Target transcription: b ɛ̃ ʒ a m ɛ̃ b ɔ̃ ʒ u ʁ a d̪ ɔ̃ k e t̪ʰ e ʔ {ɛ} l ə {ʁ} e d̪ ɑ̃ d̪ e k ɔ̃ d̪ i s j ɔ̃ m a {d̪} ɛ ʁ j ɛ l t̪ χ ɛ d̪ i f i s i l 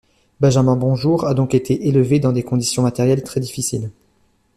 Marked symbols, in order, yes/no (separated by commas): no, no, no